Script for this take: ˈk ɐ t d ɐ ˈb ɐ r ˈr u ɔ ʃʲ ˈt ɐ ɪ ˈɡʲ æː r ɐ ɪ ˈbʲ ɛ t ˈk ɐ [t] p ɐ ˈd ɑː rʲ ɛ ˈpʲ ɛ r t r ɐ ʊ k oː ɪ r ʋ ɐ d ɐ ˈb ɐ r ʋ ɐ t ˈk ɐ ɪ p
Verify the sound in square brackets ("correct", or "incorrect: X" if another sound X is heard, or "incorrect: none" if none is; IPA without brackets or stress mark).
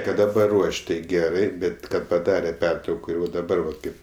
correct